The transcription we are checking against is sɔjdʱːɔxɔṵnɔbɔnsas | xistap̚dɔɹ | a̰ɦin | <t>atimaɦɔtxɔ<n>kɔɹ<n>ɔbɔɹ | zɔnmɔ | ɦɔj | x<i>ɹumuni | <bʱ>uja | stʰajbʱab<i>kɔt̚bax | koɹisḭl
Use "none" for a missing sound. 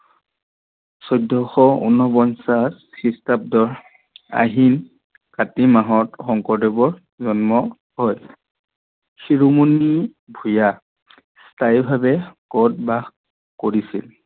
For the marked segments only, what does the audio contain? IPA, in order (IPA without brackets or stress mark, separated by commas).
k, ŋ, d, i, bʱ, ɛ